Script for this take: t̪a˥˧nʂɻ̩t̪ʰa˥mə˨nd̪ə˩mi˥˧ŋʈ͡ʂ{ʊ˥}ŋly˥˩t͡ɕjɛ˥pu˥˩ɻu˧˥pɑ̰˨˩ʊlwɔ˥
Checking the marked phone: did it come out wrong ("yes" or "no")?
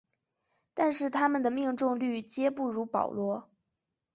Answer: yes